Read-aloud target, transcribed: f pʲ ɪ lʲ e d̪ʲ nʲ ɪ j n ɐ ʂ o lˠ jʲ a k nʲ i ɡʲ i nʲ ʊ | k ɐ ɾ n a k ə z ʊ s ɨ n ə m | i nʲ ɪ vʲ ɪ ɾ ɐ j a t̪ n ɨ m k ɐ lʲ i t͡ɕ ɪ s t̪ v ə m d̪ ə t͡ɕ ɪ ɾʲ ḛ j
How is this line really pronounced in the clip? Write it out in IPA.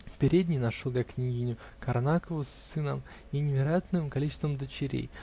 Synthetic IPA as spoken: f pʲ ɪ ɾʲ e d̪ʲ nʲ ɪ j n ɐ ʂ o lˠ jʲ a k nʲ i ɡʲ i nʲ ʊ | k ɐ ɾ n a k ə v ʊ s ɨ n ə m | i nʲ ɪ vʲ ɪ ɾ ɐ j a t̪ n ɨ m k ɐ lʲ i t͡ɕ ɪ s t̪ v ə m d̪ ə t͡ɕ ɪ ɾʲ ḛ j